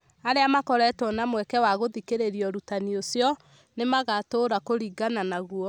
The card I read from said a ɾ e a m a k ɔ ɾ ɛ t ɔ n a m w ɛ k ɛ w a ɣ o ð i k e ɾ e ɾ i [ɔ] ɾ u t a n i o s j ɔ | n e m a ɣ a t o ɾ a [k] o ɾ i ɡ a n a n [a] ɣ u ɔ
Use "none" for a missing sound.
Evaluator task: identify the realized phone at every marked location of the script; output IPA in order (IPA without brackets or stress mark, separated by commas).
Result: ɔ, k, a